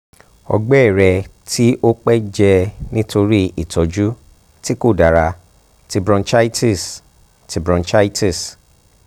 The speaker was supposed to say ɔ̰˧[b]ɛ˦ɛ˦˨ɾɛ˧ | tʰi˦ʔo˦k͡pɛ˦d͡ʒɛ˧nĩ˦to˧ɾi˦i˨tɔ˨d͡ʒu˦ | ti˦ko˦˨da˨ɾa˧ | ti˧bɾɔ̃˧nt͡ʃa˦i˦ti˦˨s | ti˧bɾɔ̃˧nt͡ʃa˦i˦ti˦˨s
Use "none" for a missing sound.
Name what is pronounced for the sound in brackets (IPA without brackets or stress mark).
ɡ͡b